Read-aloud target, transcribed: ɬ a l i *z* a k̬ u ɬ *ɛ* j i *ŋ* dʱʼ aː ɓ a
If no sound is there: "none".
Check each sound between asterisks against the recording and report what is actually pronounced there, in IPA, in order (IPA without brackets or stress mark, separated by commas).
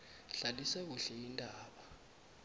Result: s, ɛ, n